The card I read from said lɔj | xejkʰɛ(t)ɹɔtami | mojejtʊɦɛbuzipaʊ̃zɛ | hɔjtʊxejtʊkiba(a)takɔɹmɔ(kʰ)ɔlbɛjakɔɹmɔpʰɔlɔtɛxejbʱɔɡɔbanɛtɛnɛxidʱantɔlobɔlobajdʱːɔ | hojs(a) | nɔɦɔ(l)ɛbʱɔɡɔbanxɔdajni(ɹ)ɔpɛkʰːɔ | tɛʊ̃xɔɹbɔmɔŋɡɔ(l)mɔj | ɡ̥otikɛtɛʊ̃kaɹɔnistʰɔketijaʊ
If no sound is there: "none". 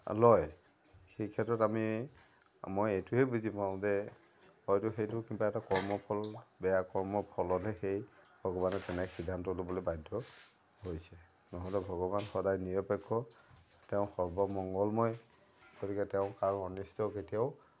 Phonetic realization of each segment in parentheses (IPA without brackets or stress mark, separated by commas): t, ɛ, pʰ, ɛ, l, ɹ, l